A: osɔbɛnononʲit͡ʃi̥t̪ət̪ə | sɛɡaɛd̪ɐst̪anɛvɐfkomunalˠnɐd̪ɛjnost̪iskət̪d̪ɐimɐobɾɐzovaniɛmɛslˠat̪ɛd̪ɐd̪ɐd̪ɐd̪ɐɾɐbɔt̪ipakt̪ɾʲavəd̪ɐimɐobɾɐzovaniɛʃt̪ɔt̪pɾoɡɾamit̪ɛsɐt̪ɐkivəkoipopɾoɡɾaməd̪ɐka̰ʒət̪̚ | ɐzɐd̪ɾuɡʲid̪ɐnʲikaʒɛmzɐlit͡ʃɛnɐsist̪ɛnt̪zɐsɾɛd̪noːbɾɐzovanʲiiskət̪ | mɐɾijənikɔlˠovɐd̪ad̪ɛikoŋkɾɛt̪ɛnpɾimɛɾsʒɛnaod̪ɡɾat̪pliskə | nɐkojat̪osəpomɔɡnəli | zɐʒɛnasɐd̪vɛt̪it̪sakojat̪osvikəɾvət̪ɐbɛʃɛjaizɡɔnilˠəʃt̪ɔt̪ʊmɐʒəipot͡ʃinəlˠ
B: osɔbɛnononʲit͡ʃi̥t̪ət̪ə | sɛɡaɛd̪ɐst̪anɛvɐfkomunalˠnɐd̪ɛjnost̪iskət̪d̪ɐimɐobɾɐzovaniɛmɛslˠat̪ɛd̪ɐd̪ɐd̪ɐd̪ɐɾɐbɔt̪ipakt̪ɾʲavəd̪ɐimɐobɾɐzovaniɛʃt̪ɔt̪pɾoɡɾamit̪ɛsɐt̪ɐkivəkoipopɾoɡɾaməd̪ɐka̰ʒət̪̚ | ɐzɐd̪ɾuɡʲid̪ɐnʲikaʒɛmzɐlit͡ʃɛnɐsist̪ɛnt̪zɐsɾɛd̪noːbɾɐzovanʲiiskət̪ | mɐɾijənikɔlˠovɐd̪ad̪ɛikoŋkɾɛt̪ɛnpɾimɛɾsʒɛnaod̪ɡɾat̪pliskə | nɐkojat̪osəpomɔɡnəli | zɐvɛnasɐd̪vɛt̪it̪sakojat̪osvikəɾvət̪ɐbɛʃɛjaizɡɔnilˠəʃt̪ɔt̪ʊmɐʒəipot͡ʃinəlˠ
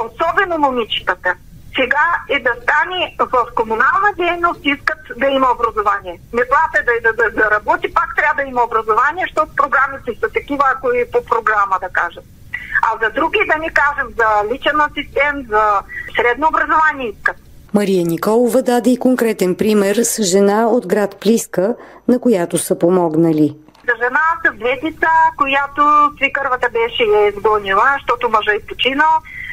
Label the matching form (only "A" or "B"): A